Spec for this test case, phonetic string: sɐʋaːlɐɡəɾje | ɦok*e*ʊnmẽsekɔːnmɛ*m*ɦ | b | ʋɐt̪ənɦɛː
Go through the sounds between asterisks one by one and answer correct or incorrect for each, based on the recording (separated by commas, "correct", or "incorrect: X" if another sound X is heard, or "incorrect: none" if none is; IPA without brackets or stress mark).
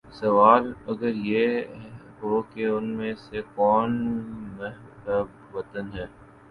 correct, incorrect: none